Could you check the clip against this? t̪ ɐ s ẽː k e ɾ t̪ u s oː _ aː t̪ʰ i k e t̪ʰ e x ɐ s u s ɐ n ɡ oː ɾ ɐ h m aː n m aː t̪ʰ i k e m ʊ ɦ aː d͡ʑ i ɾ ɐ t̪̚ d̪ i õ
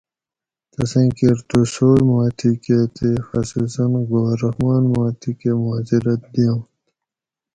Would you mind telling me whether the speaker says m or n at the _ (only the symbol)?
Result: m